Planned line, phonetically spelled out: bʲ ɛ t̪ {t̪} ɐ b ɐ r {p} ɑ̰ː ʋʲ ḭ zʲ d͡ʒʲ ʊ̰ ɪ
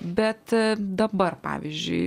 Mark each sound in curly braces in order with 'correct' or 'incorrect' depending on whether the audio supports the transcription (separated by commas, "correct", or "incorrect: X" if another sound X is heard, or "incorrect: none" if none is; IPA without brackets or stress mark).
incorrect: d̪, correct